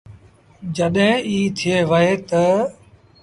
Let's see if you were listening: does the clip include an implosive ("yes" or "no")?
yes